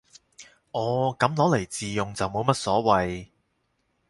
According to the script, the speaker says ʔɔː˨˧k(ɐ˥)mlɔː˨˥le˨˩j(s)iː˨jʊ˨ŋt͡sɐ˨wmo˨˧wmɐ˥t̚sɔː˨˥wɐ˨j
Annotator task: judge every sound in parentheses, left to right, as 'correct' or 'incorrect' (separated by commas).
incorrect, incorrect